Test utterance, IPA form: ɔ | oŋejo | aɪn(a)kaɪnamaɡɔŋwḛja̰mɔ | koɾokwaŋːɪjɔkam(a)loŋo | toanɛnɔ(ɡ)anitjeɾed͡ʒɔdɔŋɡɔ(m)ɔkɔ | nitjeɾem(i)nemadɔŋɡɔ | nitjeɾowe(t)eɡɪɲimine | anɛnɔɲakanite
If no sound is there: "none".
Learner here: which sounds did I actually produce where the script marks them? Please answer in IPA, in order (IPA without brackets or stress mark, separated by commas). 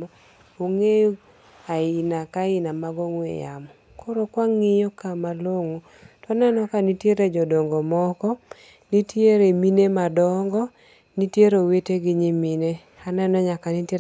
a, a, k, m, i, t